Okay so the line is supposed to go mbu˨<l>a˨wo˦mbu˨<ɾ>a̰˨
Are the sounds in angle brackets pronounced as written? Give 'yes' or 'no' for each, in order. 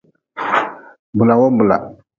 yes, no

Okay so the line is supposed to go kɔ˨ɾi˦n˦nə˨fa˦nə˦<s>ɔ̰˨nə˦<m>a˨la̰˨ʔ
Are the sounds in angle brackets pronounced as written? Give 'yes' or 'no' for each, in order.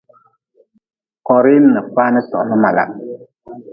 yes, yes

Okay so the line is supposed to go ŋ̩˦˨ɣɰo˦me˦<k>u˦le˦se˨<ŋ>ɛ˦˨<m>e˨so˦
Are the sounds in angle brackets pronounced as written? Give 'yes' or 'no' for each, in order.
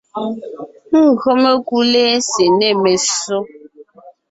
yes, no, yes

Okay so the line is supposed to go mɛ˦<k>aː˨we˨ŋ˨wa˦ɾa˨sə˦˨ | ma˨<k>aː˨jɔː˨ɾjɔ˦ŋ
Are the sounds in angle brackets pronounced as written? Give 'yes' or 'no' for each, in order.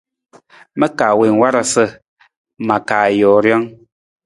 yes, yes

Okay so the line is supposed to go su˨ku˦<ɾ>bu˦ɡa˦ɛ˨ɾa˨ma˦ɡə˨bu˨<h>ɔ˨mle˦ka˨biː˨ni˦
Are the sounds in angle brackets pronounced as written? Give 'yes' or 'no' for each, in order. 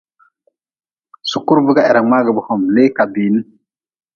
yes, yes

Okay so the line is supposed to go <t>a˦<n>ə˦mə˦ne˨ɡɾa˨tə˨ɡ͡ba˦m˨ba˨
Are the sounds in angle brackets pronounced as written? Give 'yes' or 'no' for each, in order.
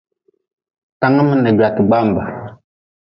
yes, no

